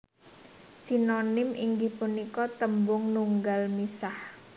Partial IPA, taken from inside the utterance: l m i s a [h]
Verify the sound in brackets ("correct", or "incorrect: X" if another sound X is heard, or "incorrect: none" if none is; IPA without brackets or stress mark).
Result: correct